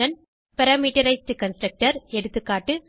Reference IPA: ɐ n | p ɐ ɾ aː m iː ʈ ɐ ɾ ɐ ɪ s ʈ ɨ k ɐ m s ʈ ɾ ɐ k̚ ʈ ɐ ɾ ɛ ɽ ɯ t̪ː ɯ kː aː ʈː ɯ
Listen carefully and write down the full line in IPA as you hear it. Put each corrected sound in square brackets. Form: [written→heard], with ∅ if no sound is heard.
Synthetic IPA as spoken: ɐ n | p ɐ ɾ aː m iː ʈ ɐ ɾ ɐ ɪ s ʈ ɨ k ɐ [m→n] s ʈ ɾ ɐ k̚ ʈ ɐ ɾ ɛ ɽ ɯ t̪ː ɯ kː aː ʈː ɯ

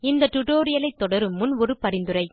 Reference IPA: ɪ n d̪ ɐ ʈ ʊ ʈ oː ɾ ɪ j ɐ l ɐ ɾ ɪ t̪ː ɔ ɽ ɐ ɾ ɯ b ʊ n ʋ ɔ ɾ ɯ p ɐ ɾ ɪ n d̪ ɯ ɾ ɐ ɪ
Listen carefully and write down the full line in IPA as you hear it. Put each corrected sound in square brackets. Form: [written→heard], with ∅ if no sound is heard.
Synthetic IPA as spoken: ɪ n d̪ ɐ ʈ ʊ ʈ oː ɾ ɪ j ɐ l ɐ [ɾ→∅] ɪ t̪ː ɔ ɽ ɐ ɾ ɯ [b→m] ʊ n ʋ ɔ ɾ ɯ p ɐ ɾ ɪ n d̪ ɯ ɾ ɐ ɪ

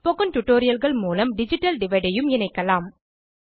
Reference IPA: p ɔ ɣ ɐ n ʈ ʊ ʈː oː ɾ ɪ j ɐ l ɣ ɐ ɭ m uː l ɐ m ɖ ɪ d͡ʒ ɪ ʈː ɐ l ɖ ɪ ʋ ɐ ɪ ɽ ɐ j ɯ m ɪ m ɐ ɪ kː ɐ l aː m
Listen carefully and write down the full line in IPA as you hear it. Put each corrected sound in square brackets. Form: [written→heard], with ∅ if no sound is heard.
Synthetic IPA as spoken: p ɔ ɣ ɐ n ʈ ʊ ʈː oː ɾ ɪ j ɐ l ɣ ɐ ɭ m uː l ɐ m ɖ ɪ d͡ʒ ɪ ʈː ɐ l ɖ ɪ ʋ ɐ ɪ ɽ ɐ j ɯ m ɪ [m→n] ɐ ɪ kː ɐ l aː m

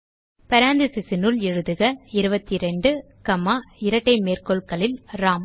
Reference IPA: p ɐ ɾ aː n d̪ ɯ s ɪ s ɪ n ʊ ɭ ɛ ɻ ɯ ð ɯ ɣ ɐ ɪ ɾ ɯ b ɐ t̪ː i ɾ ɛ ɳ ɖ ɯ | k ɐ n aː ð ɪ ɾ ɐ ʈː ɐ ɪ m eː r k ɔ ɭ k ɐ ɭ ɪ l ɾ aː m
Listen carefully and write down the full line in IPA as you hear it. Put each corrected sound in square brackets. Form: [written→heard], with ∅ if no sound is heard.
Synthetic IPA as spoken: p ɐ ɾ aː n d̪ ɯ s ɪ s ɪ n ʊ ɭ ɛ ɻ ɯ ð ɯ ɣ ɐ ɪ ɾ ɯ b ɐ t̪ː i ɾ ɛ ɳ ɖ ɯ | k ɐ [n→m] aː [ð→∅] ɪ ɾ ɐ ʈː ɐ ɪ m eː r k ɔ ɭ k ɐ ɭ ɪ l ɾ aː m

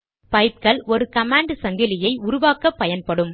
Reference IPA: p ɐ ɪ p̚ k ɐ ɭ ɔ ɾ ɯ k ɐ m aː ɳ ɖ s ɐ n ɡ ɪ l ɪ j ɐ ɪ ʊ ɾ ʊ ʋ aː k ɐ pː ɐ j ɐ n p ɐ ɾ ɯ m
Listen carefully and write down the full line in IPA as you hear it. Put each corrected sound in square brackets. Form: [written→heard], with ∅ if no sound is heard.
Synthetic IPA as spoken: p ɐ ɪ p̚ k ɐ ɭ ɔ ɾ ɯ k ɐ m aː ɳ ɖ s ɐ [n→ŋ] ɡ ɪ l ɪ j ɐ ɪ ʊ ɾ ʊ ʋ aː k ɐ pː ɐ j ɐ n p ɐ [ɾ→ɽ] ɯ m

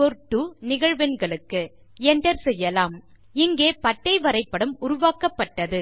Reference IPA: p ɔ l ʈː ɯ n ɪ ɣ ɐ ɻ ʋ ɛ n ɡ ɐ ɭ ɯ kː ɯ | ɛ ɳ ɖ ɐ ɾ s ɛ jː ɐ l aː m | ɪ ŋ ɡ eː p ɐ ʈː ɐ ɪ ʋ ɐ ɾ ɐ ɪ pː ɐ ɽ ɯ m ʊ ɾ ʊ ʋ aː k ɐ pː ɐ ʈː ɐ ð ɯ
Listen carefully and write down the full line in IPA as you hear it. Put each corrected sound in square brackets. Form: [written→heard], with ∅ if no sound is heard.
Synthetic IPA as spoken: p ɔ [l→ɾ] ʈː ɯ n ɪ ɣ ɐ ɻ ʋ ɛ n ɡ ɐ ɭ ɯ kː ɯ | ɛ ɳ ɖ ɐ ɾ s ɛ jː ɐ l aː m | ɪ ŋ ɡ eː p ɐ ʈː ɐ ɪ ʋ ɐ ɾ ɐ ɪ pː ɐ ɽ ɯ m ʊ ɾ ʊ ʋ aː k ɐ pː ɐ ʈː ɐ ð ɯ

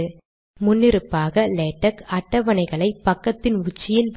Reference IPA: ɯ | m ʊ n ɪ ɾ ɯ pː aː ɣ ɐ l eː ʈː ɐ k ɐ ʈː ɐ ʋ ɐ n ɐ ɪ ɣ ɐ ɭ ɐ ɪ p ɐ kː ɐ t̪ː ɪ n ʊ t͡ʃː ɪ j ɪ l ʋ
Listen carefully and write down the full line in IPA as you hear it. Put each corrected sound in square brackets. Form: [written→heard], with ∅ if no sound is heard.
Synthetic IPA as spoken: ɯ | m ʊ [n→nː] ɪ ɾ ɯ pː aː ɣ ɐ l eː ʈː ɐ k ɐ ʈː ɐ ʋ ɐ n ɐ ɪ ɣ ɐ ɭ ɐ ɪ p ɐ kː ɐ t̪ː ɪ n ʊ t͡ʃː ɪ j ɪ l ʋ

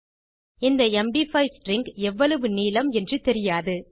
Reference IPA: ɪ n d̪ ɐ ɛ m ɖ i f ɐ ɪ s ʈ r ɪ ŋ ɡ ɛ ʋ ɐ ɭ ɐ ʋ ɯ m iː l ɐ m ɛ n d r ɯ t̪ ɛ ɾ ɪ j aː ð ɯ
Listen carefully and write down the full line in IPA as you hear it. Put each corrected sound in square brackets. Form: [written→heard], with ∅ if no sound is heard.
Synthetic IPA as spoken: ɪ n d̪ ɐ ɛ m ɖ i f ɐ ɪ s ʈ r ɪ ŋ ɡ ɛ [ʋ→ʋː] ɐ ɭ ɐ ʋ ɯ [m→n] iː l ɐ m ɛ n d r ɯ t̪ ɛ ɾ ɪ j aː ð ɯ

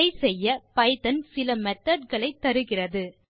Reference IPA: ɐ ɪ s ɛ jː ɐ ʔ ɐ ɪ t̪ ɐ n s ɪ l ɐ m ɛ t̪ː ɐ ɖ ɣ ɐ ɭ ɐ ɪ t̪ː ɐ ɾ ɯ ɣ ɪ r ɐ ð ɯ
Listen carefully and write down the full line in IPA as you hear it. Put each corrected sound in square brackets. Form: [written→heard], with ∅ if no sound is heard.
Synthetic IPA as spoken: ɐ ɪ s ɛ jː ɐ [ʔ→p] ɐ ɪ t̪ ɐ n s ɪ l ɐ m ɛ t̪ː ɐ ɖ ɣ ɐ ɭ ɐ ɪ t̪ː ɐ ɾ ɯ ɣ ɪ r ɐ ð ɯ

